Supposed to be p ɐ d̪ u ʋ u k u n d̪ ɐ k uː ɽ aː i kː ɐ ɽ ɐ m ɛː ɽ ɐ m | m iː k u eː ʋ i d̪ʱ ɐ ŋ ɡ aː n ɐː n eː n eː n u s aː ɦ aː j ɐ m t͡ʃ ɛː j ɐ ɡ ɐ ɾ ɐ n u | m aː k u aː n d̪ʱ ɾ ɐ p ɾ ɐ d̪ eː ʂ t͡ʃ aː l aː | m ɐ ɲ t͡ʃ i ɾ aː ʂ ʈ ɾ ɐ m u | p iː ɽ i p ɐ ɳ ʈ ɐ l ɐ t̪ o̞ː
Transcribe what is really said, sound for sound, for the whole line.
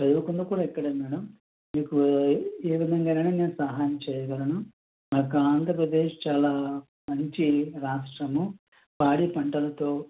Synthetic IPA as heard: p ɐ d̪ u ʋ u k u n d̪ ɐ k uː ɽ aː i kː ɐ ɽ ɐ m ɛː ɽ ɐ m | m iː k u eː ʋ i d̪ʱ ɐ ŋ ɡ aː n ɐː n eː n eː n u s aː ɦ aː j ɐ m t͡ʃ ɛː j ɐ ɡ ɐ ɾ ɐ n u | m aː k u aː n d̪ʱ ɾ ɐ p ɾ ɐ d̪ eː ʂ t͡ʃ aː l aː | m ɐ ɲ t͡ʃ i ɾ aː ʂ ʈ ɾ ɐ m u | p aː ɽ i p ɐ ɳ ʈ ɐ l ɐ t̪ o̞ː